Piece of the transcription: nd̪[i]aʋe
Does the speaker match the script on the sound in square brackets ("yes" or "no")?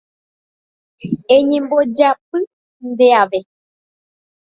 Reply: no